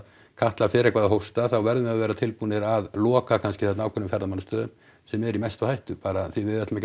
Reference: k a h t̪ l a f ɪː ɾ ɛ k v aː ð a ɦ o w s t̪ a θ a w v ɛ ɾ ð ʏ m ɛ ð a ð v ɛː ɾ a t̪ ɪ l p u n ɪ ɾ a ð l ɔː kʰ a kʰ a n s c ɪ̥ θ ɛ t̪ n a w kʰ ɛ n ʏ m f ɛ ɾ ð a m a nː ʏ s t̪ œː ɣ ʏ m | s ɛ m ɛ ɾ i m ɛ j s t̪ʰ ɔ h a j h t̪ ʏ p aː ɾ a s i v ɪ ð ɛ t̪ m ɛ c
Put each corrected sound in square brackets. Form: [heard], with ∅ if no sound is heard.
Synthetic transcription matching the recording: [kʰ] a h t̪ l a f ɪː ɾ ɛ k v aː ð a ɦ o w s t̪ a θ a w v ɛ ɾ ð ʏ m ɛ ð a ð v ɛː ɾ a [t̪ʰ] ɪ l p u n ɪ ɾ a ð l ɔː [k] a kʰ a n s c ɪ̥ θ ɛ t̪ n a w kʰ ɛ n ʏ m f ɛ ɾ ð a m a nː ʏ s t̪ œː [ð] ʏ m | s ɛ m ɛ ɾ i m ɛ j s [t̪] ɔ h a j h t̪ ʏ p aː ɾ a [θ] i v ɪ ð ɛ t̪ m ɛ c

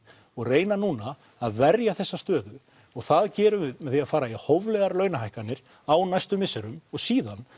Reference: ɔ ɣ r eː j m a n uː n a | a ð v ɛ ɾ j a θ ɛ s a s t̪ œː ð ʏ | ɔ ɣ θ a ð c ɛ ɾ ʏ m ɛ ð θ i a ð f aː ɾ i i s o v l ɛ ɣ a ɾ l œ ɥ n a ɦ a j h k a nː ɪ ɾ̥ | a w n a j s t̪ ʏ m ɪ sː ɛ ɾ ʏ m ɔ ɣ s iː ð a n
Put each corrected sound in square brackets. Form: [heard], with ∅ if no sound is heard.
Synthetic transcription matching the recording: ɔ ɣ r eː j [n] a n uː n a | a ð v ɛ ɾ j a θ ɛ [sː] a s t̪ œː ð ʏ | ɔ ɣ θ a ð c [ɛː] ɾ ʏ m ɛ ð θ i a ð f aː ɾ [a] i [h] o v l ɛ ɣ a ɾ l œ ɥ n a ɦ a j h k a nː ɪ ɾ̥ | a w n a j s t̪ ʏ m ɪ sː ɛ ɾ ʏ m ɔ ɣ s iː ð a n

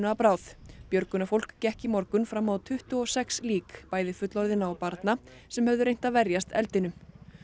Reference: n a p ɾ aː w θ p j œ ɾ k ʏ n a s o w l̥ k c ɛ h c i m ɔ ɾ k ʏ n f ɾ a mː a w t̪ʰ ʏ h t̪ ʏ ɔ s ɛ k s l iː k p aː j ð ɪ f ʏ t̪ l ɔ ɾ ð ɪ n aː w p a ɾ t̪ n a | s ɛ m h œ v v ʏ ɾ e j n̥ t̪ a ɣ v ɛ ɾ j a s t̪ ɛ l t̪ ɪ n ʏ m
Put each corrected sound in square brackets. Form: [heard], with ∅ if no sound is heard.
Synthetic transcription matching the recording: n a p ɾ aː w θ p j œ ɾ k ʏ n a [f] o w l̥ k c ɛ h c i m ɔ ɾ k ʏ n f ɾ a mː a w t̪ʰ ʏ h t̪ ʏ ɔ s ɛ k s l iː k p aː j ð ɪ f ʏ t̪ l ɔ ɾ ð ɪ n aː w p a ɾ t̪ n a | s ɛ m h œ v [ð] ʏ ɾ e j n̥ t̪ a [ð] v ɛ ɾ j a s t̪ ɛ l t̪ ɪ n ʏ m

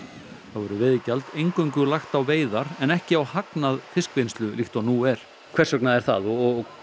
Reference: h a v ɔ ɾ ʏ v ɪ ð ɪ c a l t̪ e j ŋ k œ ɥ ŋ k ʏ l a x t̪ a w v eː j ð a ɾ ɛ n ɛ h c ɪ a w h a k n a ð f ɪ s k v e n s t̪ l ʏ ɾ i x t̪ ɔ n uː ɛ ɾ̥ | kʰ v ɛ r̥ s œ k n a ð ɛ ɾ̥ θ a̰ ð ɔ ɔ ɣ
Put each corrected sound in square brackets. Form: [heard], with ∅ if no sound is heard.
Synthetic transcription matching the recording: [θ] a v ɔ ɾ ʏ v ɪ ð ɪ c a l t̪ e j ŋ k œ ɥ ŋ k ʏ l a x t̪ a w v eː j ð a ɾ ɛ n ɛ h c ɪ a w h a k n a ð f ɪ s k v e n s t̪ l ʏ [l] i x t̪ ɔ n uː ɛ ɾ̥ | kʰ v ɛ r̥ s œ k n a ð ɛ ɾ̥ θ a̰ ð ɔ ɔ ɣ

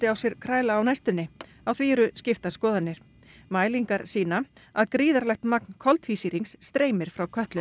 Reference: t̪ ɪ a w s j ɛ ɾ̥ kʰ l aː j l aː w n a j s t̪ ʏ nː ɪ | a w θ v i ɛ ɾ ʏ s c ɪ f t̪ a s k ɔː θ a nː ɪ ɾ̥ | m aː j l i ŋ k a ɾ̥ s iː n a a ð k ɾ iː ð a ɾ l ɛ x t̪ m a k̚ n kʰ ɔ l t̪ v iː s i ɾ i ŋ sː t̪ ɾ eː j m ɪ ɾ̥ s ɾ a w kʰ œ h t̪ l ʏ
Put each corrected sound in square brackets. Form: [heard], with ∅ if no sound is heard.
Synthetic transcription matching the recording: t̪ ɪ a w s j ɛ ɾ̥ kʰ [ɾ] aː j l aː w n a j s t̪ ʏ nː ɪ | a w θ v i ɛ ɾ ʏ s c ɪ f t̪ a s k ɔː [ð] a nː ɪ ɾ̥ | m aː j l i ŋ k a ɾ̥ s iː n a a ð k ɾ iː ð a ɾ l ɛ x t̪ m a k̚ n kʰ ɔ l t̪ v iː s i ɾ i ŋ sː t̪ ɾ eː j m ɪ ɾ̥ [f] ɾ a w kʰ œ h t̪ l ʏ

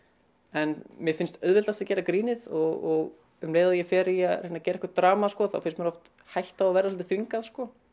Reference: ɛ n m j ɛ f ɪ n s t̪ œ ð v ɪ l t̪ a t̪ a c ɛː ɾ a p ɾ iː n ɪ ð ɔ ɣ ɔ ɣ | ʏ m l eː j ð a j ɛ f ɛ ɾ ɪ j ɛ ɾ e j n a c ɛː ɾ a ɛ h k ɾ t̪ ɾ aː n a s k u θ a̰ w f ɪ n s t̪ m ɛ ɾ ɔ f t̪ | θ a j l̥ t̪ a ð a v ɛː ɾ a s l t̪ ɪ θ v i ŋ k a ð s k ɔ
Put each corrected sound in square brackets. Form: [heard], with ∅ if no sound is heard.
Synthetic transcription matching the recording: ɛ n m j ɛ f ɪ n s t̪ œ ð v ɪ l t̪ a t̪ a c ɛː ɾ a [k] ɾ iː n ɪ ð ɔ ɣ ɔ ɣ | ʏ m l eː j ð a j ɛ f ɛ ɾ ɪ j [a] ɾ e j n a c ɛː ɾ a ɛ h k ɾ t̪ ɾ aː [m] a s k [ɔ] θ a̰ w f ɪ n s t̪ m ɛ ɾ ɔ f t̪ | [h] a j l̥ t̪ a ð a v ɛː ɾ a s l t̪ ɪ θ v i ŋ k a ð s k ɔ

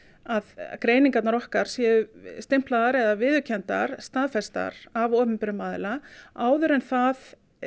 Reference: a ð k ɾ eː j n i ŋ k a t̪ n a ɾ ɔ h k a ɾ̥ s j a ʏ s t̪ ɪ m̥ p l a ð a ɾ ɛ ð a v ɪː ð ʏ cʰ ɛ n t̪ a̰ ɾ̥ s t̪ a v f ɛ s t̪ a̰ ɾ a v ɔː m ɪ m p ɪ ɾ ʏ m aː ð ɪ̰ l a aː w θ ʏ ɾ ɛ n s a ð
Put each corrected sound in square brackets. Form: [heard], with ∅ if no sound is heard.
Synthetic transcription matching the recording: a ð k ɾ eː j n i ŋ k a t̪ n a ɾ ɔ h k a ɾ̥ s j [ɛ] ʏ s t̪ ɪ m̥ p l a ð a ɾ ɛ ð a v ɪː ð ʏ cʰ ɛ n t̪ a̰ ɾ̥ s t̪ a [ð] f ɛ s t̪ a̰ ɾ a v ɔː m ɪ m p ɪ ɾ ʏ m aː ð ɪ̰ l a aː w [ð] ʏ ɾ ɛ n [θ] a ð

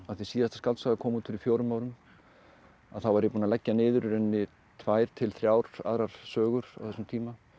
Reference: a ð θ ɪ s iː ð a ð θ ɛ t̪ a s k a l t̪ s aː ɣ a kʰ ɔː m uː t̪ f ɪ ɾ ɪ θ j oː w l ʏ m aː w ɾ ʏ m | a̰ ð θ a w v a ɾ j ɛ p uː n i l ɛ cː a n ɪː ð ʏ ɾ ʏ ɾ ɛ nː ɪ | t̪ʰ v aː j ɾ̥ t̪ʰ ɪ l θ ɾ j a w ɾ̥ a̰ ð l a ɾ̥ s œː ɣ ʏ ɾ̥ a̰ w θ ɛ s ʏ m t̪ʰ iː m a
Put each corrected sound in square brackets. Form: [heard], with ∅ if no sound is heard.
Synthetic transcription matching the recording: a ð θ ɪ s iː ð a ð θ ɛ t̪ a s k a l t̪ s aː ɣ a kʰ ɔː m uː t̪ f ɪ ɾ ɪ [f] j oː w [ɾ] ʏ m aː w ɾ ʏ m | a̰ ð θ a w v a ɾ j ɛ p uː n [a] l ɛ cː a n ɪː ð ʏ ɾ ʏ ɾ ɛ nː ɪ | t̪ʰ v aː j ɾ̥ t̪ʰ ɪ l θ ɾ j a w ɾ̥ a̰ ð [ɾ] a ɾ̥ s œː ɣ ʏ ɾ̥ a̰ w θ ɛ s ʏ m t̪ʰ iː m a

